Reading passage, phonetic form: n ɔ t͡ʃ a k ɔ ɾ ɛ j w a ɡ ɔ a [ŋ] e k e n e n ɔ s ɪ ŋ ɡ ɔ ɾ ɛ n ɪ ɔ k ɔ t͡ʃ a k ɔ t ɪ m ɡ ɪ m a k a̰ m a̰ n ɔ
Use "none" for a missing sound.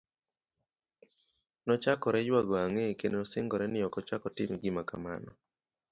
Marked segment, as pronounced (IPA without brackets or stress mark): ŋ